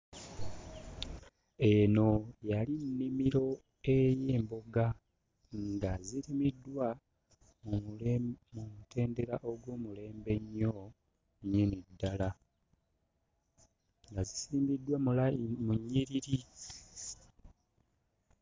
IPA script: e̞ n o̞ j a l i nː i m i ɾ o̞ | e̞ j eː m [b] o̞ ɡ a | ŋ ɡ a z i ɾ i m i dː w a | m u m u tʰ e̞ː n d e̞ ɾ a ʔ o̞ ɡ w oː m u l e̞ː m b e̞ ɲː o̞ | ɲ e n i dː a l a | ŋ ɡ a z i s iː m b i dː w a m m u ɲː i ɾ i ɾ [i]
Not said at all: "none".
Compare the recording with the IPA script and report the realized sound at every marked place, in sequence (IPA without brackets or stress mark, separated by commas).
b, i